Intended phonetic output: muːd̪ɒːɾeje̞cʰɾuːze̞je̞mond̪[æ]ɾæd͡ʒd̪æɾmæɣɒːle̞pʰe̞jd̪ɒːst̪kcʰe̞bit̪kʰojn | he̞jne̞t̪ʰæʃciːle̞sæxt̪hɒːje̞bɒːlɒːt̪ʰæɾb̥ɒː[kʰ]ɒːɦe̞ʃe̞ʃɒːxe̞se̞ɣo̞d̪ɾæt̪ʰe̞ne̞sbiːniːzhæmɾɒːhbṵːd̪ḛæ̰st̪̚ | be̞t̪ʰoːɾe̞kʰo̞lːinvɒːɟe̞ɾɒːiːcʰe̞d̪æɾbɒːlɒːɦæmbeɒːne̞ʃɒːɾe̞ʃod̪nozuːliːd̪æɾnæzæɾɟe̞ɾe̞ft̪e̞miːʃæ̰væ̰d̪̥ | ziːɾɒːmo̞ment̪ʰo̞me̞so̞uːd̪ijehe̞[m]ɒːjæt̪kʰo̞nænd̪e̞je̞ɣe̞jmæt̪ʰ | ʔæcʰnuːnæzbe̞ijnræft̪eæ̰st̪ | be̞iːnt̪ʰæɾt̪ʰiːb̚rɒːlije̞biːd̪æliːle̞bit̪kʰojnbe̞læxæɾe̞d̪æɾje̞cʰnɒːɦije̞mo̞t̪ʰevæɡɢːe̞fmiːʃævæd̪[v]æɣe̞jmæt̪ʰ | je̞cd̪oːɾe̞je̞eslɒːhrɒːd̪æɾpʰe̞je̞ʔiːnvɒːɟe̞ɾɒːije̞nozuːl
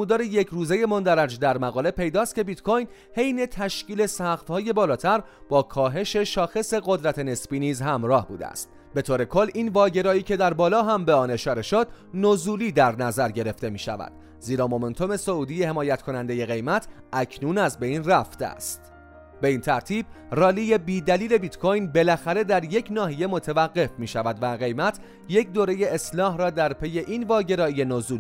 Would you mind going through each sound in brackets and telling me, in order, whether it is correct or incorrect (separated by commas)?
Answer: correct, correct, correct, correct